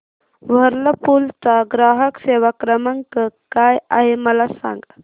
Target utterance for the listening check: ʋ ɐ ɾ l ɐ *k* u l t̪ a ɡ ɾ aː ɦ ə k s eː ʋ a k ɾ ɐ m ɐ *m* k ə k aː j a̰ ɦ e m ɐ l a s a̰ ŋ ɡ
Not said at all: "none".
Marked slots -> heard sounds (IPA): p, ŋ

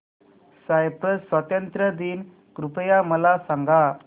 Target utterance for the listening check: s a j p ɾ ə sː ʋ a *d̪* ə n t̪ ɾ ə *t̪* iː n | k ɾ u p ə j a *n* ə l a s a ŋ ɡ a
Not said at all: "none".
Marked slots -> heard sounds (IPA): t̪, d̪, m

